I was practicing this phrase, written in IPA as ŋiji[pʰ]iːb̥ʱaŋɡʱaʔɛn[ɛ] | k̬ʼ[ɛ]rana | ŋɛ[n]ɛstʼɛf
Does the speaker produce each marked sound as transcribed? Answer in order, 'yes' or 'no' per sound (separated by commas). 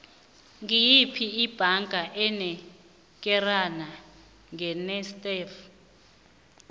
yes, yes, yes, yes